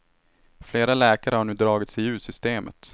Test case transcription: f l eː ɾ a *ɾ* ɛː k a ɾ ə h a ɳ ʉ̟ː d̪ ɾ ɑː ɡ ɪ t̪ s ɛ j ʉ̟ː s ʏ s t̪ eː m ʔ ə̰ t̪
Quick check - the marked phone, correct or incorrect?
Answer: incorrect